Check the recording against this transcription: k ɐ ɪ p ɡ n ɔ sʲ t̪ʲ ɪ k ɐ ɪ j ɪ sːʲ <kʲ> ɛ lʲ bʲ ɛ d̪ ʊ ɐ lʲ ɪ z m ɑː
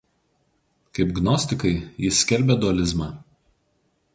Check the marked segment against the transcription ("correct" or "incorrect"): correct